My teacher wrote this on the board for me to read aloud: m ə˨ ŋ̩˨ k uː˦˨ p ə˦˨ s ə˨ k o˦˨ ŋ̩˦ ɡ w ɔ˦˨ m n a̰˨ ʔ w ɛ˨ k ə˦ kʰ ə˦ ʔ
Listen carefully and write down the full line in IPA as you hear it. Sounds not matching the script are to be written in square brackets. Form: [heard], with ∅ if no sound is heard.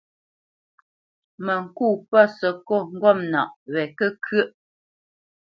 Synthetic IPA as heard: m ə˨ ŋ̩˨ k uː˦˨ p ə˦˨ s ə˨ k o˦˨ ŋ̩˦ ɡ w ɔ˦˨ m n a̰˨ ʔ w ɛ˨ k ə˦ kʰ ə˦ ʔ

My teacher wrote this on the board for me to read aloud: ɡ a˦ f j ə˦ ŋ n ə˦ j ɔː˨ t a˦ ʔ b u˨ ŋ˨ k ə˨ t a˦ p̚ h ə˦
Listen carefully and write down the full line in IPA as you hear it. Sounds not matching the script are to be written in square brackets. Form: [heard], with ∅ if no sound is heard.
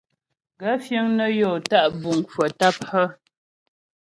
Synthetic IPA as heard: ɡ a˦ f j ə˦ ŋ n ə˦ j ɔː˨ t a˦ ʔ b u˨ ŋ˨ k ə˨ t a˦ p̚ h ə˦

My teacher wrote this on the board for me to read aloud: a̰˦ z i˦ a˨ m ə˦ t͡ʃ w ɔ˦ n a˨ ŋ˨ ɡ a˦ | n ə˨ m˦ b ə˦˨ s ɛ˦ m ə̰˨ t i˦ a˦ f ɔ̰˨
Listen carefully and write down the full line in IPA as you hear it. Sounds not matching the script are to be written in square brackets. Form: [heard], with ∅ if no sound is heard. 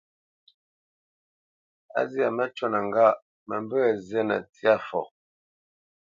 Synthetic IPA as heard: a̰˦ z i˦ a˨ m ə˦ t͡ʃ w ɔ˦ n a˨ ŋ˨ ɡ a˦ | [m] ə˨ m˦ b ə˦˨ [z] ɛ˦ [n] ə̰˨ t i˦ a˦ f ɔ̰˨

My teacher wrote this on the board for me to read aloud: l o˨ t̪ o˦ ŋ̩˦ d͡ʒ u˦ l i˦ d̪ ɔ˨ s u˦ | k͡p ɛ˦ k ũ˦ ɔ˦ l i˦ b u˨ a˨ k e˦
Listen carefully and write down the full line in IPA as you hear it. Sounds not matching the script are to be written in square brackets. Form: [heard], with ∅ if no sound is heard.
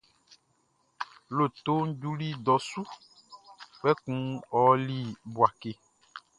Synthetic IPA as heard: l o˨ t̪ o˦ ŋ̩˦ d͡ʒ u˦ l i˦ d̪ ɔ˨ s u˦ | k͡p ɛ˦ k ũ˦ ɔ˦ l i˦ b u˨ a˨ k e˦

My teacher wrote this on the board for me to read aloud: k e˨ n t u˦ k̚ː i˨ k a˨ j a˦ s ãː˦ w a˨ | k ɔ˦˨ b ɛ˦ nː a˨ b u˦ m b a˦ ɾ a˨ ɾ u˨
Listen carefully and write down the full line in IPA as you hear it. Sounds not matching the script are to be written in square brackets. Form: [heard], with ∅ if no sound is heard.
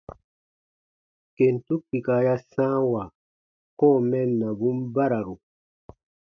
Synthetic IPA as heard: k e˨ n t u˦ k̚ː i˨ k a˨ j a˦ s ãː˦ w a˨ | k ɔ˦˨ [m] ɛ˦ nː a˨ b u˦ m b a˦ ɾ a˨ ɾ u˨

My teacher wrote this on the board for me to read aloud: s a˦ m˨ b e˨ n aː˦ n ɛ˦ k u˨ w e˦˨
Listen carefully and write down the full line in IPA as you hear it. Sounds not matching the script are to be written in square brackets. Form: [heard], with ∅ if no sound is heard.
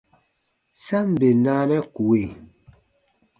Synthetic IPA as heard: s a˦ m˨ b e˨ n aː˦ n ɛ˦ k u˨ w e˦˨

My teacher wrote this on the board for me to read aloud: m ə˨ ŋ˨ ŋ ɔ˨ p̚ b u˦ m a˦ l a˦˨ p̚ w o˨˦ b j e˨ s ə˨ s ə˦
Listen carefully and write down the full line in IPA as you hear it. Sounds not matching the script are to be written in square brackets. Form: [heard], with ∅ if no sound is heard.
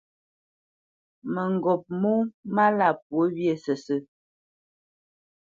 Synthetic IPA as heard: m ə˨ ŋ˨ [ɡ] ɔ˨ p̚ [m] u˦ m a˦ l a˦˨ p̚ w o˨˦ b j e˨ s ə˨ s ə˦

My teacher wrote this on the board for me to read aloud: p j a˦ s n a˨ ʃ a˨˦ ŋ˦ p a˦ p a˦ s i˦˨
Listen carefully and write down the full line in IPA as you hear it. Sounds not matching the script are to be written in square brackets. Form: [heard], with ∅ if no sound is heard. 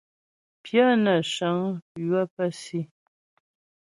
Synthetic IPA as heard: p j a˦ [∅] n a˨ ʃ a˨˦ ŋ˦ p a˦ p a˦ s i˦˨

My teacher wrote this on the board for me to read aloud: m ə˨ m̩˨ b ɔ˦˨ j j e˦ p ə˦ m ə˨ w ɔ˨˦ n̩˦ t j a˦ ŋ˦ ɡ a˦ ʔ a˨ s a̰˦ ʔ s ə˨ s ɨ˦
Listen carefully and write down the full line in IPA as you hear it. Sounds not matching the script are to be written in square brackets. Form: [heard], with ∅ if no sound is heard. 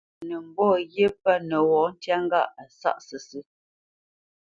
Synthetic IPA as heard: [n] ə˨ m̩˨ b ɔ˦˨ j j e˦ p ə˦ [n] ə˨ w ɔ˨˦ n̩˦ t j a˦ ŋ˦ ɡ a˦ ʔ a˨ s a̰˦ ʔ s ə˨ s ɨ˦

